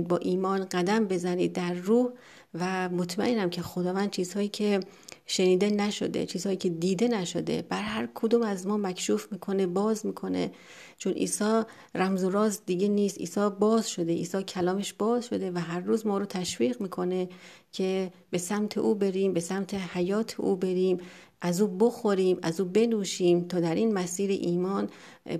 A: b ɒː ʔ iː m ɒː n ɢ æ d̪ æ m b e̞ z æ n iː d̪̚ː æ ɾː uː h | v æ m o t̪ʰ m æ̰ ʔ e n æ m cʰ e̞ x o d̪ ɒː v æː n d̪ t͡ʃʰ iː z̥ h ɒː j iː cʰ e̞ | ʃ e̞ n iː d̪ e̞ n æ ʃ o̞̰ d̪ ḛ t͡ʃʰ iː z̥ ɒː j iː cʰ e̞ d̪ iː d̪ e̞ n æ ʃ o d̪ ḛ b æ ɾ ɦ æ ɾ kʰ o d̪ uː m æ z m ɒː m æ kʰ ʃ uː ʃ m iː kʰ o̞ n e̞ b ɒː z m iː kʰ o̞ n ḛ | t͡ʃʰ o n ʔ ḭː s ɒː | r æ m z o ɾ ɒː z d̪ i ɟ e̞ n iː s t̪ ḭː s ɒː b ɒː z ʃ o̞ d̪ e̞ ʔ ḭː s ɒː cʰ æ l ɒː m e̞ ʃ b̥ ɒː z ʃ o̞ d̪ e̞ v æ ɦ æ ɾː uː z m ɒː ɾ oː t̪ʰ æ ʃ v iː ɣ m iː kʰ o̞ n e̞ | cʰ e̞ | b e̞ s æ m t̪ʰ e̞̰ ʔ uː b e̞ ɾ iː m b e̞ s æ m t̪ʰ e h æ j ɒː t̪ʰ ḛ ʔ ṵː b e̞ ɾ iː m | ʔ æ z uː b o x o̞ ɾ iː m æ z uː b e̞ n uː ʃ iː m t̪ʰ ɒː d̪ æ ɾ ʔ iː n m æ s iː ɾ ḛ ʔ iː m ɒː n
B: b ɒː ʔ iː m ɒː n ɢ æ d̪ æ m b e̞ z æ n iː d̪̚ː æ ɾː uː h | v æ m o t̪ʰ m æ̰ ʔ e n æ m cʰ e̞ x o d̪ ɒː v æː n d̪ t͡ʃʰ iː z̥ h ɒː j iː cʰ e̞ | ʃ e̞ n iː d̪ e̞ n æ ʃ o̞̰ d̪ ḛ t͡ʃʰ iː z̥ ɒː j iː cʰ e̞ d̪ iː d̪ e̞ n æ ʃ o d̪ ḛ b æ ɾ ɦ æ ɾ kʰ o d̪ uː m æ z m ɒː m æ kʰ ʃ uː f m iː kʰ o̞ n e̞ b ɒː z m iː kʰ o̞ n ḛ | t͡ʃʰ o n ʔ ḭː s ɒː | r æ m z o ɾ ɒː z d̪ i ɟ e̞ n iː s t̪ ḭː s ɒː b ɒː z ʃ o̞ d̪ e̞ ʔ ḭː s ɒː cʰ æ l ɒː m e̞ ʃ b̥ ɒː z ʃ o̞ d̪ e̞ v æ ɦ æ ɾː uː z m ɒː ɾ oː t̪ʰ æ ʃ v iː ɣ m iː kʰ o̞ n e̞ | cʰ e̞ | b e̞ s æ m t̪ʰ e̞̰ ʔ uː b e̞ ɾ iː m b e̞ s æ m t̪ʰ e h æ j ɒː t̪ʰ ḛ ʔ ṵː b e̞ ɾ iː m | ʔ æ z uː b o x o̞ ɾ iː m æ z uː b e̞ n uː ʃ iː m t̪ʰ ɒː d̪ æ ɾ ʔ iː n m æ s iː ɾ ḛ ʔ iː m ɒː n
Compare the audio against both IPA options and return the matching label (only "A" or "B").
B